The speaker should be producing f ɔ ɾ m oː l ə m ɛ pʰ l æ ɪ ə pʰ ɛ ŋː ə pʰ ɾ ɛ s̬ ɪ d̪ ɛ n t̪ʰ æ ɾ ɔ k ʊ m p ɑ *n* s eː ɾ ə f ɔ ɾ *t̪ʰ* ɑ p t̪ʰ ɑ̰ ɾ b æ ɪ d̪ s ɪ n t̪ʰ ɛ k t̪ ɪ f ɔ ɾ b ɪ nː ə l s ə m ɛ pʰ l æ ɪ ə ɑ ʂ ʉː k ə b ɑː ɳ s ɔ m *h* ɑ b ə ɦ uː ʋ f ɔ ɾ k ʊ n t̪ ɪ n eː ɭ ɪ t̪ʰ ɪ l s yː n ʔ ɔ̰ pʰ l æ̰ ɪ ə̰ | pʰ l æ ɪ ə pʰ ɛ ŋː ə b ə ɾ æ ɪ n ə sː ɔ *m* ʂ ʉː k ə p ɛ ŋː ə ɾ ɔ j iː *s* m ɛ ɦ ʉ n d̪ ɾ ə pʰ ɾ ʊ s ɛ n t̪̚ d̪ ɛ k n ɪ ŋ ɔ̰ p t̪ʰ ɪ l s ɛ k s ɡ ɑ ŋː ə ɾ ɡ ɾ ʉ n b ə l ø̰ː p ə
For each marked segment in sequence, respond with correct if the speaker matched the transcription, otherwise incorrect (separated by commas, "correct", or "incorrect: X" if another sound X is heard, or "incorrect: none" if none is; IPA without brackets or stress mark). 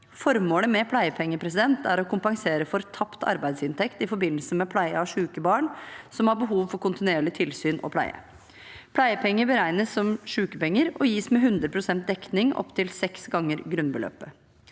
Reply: incorrect: ŋ, correct, correct, correct, correct